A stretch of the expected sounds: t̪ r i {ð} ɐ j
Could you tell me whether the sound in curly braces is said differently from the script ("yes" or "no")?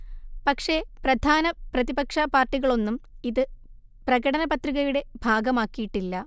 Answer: yes